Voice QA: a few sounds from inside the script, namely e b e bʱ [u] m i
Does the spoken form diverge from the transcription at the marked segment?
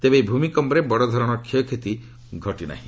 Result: no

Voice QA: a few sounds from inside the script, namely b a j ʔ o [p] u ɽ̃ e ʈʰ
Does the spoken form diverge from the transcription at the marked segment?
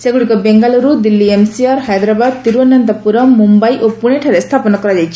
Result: no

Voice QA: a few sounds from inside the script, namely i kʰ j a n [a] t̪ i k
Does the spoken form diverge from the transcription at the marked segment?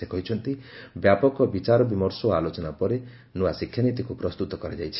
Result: yes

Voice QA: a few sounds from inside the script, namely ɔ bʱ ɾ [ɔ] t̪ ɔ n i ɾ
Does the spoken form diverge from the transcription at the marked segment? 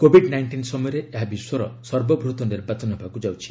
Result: yes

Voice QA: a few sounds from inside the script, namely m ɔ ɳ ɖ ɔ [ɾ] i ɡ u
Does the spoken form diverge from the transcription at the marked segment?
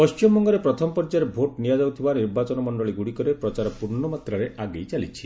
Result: yes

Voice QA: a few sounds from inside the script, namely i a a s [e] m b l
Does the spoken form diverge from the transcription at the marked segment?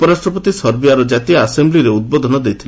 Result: no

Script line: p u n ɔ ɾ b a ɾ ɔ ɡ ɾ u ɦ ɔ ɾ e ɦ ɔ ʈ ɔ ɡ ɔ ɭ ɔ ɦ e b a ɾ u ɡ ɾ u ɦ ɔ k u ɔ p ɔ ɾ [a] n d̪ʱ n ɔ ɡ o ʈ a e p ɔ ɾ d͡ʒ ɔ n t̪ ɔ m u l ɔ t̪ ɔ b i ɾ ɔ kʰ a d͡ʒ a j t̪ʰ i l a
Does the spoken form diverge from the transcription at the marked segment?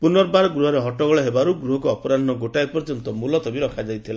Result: no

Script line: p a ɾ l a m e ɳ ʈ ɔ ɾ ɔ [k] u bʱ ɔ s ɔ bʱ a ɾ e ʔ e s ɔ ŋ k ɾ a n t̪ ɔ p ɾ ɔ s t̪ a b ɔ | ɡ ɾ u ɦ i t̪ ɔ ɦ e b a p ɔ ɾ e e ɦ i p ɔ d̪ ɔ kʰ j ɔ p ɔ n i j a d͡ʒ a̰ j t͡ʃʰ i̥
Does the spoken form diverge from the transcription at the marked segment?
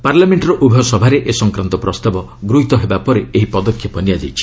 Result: yes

